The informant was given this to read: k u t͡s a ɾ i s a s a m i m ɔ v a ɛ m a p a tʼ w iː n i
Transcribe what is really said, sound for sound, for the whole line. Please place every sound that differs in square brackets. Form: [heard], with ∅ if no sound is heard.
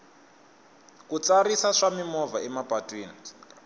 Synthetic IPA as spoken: k u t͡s a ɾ i s a [ʂ] a m i m ɔ v a ɛ m a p a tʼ w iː n i